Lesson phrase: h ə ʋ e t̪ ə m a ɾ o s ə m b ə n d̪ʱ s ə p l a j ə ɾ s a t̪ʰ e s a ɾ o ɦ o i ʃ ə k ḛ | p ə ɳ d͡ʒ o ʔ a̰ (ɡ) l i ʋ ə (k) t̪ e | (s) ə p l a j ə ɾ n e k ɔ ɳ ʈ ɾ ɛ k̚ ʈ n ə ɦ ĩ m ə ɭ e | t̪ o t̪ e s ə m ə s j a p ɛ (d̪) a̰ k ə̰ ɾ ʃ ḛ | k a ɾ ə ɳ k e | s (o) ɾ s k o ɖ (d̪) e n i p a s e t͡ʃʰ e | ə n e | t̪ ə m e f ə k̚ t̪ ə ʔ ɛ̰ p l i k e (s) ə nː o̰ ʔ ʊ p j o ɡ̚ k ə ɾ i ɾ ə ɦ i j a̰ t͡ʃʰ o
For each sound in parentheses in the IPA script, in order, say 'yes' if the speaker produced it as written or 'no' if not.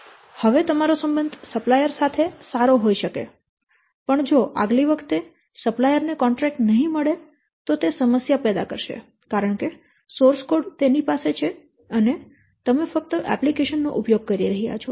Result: yes, no, yes, yes, yes, no, no

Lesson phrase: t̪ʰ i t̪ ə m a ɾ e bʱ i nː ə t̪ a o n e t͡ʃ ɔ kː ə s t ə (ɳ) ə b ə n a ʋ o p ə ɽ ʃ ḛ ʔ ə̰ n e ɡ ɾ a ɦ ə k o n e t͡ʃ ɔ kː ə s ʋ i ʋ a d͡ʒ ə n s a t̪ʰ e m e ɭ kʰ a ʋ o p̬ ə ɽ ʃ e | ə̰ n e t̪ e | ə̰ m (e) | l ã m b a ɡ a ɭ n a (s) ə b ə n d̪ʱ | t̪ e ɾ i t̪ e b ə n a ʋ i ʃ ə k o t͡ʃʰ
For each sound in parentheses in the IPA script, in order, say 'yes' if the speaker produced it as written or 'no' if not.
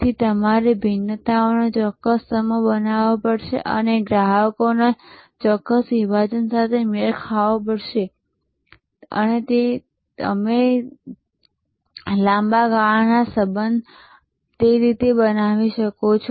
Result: no, yes, yes

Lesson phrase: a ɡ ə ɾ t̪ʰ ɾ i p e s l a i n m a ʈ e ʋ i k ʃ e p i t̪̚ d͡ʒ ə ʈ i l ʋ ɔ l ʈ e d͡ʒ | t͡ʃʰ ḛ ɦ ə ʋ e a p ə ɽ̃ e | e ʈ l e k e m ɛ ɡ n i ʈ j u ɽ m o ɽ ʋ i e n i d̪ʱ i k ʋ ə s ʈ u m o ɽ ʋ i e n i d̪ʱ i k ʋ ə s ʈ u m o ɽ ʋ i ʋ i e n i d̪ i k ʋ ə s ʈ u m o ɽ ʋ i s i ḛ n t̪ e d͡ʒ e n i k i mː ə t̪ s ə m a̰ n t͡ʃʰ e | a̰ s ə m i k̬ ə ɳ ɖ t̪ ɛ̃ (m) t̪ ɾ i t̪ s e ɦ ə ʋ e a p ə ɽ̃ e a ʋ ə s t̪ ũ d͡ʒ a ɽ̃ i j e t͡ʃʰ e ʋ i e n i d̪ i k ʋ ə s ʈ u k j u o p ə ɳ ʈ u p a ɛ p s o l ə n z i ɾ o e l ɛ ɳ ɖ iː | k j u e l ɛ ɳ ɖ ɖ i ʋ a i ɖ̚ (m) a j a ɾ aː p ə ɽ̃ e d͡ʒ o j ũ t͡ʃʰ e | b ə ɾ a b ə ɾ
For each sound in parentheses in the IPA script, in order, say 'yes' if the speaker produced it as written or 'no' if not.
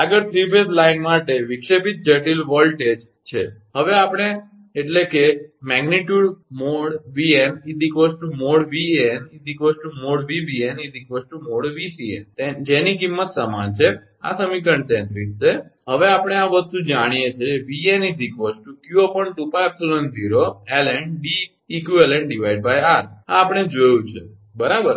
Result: no, no

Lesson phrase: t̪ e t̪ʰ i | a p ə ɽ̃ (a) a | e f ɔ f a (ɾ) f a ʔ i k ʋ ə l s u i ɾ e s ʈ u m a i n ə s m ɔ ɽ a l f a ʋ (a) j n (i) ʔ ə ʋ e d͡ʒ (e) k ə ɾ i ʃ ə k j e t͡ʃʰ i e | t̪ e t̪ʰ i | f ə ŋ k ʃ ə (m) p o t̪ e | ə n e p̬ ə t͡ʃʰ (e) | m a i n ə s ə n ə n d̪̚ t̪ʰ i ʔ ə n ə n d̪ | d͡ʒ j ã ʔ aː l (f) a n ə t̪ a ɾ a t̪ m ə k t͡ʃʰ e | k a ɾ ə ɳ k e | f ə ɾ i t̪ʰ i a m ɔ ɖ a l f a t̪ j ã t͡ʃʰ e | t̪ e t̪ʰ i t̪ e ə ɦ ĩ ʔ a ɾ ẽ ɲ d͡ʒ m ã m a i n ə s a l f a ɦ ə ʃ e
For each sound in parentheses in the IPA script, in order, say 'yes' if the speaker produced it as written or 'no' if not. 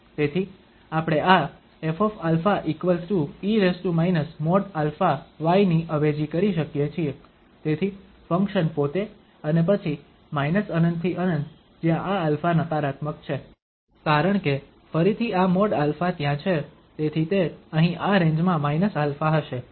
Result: no, no, yes, yes, no, no, no, yes

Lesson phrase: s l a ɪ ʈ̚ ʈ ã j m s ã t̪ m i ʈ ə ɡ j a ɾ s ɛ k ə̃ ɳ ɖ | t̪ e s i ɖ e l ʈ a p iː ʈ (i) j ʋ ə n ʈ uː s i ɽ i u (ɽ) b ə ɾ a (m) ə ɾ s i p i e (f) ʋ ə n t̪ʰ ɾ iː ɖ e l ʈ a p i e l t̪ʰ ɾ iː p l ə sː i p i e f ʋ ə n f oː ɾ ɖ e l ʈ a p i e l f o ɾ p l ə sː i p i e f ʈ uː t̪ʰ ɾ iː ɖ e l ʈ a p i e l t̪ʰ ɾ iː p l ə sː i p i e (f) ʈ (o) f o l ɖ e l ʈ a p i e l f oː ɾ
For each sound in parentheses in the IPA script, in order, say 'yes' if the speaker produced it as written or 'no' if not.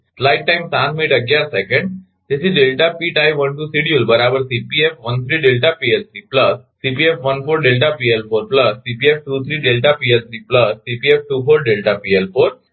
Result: no, no, no, yes, yes, no

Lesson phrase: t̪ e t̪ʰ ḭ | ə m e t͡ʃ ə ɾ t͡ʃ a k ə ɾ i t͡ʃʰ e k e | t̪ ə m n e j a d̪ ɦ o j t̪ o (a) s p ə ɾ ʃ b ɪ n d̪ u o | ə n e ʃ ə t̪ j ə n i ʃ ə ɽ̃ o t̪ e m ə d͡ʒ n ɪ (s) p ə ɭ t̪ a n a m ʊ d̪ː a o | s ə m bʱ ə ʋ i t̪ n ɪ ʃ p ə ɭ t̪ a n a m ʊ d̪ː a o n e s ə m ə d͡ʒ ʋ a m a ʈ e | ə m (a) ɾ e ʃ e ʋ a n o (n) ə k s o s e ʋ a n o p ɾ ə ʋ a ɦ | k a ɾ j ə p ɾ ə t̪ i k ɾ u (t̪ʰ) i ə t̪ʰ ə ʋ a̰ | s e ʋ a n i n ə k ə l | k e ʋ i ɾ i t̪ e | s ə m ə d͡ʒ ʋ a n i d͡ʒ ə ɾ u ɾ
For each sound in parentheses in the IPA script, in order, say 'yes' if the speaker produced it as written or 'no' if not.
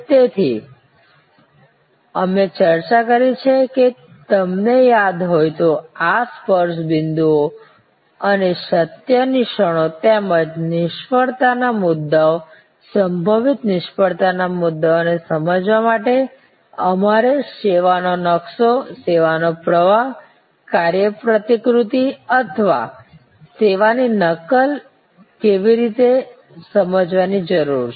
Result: yes, no, yes, yes, no

